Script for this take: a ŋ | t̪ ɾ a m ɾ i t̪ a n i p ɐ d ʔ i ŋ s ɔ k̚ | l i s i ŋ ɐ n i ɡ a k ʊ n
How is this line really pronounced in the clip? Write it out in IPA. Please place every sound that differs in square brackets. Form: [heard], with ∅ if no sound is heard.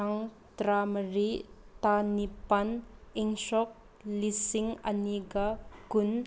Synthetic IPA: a ŋ | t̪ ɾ a m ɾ i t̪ a n i p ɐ [n] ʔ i ŋ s ɔ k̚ | l i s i ŋ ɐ n i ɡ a k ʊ n